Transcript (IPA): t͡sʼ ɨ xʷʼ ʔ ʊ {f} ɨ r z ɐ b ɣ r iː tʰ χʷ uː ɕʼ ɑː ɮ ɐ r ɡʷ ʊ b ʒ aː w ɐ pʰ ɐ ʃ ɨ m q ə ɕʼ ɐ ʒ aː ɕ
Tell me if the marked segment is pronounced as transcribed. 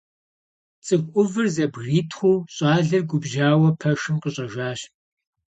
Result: no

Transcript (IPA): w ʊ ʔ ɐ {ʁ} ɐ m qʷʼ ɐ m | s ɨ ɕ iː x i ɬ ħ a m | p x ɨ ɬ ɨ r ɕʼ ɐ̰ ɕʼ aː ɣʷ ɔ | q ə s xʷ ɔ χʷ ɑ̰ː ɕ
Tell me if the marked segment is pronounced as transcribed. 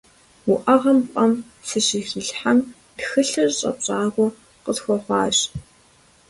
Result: yes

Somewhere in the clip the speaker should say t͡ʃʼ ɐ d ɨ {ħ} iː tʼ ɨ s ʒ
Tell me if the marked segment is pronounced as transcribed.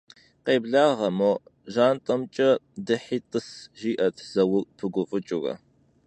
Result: yes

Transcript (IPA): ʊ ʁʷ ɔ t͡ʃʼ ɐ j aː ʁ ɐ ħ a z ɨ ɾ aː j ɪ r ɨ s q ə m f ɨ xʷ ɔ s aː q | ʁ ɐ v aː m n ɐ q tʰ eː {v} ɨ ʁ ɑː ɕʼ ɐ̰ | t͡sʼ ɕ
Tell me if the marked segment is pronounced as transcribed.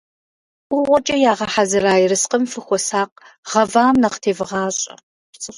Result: yes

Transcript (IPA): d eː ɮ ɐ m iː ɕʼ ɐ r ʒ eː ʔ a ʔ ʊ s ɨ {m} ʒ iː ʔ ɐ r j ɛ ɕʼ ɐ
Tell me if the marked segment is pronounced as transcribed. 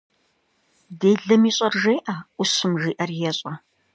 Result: yes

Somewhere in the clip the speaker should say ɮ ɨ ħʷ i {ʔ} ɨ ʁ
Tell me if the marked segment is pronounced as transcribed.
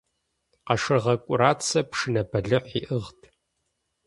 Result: yes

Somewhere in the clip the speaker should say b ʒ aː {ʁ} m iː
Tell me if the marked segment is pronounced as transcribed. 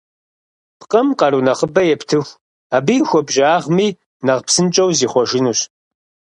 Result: yes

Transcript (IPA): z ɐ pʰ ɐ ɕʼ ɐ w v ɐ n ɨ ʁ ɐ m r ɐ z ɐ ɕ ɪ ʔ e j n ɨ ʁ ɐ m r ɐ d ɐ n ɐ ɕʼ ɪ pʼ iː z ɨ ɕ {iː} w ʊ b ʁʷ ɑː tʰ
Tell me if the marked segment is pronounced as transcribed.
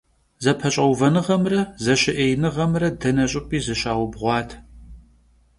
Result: no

